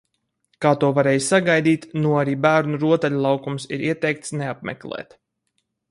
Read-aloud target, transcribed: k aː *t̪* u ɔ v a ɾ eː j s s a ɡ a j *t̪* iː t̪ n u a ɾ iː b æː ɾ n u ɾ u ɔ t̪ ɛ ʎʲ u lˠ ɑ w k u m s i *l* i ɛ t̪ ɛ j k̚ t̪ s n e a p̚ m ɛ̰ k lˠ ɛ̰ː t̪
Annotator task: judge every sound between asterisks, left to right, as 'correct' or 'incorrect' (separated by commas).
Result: correct, incorrect, incorrect